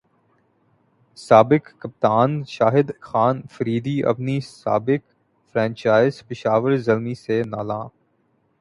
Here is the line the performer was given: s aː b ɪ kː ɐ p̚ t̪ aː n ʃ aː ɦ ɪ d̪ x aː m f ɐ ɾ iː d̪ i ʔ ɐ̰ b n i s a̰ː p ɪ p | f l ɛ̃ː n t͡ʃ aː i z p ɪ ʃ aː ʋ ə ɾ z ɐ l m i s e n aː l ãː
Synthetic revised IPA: s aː b ɪ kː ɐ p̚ t̪ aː n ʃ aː ɦ ɪ d̪ x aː n f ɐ ɾ iː d̪ i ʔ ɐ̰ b n i s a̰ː b ɪ k | f ɾ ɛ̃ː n t͡ʃ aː ɪ z p ɪ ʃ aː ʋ ə ɾ z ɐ l m i s e n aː l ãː